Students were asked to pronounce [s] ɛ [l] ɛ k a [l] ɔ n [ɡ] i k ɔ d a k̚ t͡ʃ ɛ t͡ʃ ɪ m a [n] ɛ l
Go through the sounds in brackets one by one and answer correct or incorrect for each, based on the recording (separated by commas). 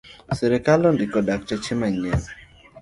correct, incorrect, correct, incorrect, incorrect